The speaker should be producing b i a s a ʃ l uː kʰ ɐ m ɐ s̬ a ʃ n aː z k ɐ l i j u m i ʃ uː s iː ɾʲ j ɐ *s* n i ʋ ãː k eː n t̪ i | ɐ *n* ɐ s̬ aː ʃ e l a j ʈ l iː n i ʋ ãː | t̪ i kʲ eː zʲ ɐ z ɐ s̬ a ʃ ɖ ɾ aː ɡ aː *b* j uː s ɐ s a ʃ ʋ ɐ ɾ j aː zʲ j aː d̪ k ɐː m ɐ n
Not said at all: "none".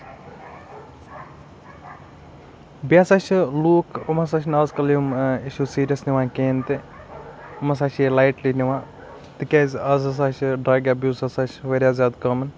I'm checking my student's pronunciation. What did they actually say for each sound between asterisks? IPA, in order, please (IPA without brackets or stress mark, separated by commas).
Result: s, m, b